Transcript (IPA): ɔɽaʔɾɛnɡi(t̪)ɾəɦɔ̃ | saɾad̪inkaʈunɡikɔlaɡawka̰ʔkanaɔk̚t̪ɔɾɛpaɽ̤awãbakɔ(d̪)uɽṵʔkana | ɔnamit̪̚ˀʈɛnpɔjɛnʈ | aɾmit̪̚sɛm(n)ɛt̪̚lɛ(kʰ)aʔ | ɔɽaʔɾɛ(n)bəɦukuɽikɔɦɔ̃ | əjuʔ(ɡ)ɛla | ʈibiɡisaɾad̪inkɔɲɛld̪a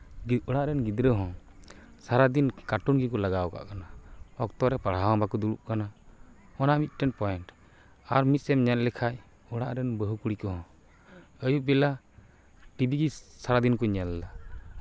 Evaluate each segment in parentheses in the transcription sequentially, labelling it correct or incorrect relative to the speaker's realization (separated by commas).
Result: incorrect, correct, incorrect, correct, correct, incorrect